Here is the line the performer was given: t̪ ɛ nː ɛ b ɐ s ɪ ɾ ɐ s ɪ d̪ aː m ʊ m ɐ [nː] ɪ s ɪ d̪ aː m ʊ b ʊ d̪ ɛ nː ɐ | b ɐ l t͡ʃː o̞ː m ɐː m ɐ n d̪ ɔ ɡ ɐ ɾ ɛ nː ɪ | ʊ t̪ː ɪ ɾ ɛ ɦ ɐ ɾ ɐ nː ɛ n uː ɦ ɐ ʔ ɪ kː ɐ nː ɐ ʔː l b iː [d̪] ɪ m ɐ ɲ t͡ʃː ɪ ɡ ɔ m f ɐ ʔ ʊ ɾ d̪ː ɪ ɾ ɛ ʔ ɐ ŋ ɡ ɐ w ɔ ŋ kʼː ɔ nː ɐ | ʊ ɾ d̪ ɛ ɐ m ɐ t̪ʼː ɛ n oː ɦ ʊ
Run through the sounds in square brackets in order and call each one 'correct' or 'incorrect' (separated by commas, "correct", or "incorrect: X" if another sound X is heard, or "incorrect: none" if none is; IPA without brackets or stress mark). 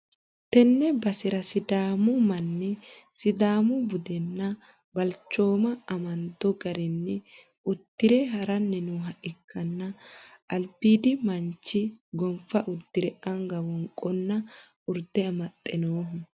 correct, correct